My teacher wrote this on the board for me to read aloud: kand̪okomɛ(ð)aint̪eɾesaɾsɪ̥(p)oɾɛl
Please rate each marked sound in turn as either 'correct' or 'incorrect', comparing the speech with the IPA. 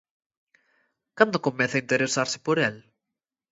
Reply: incorrect: θ, correct

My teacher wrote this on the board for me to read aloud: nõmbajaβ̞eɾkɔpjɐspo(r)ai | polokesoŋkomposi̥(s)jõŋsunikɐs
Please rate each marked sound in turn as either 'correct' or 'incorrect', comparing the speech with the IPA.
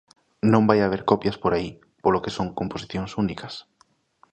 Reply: incorrect: ɾ, incorrect: θ

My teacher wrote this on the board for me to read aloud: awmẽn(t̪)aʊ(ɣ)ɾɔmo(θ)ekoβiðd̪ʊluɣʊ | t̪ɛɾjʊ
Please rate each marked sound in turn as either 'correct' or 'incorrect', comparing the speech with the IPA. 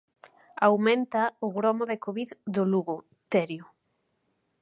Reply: correct, correct, incorrect: ð

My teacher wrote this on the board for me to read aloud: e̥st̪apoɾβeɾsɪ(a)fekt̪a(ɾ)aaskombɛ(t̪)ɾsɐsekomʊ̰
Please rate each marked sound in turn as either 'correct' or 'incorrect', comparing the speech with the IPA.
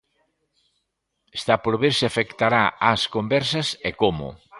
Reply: correct, correct, incorrect: none

